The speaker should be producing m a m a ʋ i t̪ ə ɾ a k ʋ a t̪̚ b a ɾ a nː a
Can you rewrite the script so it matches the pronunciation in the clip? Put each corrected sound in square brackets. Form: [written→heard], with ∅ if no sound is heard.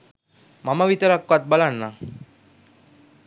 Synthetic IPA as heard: m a m a ʋ i t̪ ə ɾ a k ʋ a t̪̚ b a [ɾ→l] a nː a